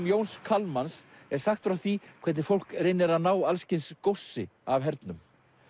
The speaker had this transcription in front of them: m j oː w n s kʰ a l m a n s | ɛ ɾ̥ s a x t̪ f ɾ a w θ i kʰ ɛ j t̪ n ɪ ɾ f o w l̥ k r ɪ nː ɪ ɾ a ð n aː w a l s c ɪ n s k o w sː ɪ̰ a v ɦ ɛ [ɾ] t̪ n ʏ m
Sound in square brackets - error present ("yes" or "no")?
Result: no